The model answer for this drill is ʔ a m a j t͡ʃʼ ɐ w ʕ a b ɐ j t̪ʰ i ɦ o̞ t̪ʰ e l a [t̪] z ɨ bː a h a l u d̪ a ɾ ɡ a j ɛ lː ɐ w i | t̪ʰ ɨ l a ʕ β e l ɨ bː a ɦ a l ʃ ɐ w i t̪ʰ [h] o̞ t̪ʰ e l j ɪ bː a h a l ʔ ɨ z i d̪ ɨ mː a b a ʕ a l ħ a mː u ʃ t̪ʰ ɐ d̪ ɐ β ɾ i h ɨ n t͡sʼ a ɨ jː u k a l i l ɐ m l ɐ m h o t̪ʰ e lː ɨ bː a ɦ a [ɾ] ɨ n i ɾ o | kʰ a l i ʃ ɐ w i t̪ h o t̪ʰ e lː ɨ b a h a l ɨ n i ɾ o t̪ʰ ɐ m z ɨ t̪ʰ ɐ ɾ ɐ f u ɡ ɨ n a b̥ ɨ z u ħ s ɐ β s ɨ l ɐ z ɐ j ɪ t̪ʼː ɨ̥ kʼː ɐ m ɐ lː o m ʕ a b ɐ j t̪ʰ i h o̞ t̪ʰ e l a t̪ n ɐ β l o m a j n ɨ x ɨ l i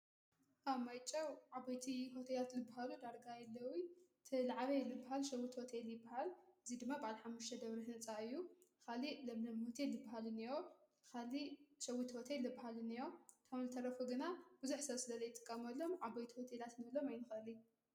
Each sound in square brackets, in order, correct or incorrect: correct, correct, incorrect: l

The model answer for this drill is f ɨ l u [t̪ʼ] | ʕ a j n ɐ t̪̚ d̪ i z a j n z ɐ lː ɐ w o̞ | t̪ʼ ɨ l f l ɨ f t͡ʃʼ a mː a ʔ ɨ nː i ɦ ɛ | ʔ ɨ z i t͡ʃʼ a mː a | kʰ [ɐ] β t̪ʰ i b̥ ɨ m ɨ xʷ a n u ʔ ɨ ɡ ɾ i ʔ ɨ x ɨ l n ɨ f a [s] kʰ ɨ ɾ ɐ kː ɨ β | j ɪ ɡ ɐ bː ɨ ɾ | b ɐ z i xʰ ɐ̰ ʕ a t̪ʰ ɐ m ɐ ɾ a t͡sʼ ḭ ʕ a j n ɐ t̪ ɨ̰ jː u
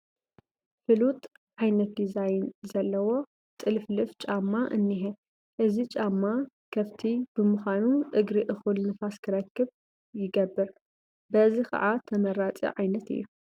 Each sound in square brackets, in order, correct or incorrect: correct, correct, correct

